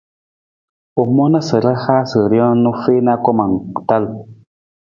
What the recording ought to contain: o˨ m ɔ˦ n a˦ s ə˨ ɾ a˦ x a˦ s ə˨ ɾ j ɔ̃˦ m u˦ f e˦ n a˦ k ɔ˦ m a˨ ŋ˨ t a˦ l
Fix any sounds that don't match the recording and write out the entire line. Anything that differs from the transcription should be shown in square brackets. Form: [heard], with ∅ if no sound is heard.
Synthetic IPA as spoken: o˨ m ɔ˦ n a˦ s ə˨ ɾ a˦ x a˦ s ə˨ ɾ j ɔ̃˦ [n] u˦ f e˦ n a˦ k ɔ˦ m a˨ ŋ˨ t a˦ l